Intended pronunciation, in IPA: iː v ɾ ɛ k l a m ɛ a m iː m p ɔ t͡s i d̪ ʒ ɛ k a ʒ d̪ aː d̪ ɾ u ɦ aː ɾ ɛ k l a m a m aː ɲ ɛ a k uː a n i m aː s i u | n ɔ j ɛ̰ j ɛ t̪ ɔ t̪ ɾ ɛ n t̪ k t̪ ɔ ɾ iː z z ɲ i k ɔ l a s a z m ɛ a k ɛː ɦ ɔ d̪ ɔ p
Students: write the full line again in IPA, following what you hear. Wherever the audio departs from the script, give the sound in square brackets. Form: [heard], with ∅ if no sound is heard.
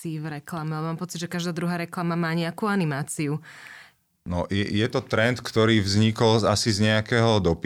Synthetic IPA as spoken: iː v ɾ ɛ k l a m ɛ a m [aː] m p ɔ t͡s i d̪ ʒ ɛ k a ʒ d̪ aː d̪ ɾ u ɦ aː ɾ ɛ k l a m a m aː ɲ ɛ a k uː a n i m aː [t͡s] i u | n ɔ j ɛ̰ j ɛ t̪ ɔ t̪ ɾ ɛ n t̪ k t̪ ɔ ɾ iː [v] z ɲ i k ɔ l a s [i] z [ɲ] ɛ a k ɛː ɦ ɔ d̪ ɔ p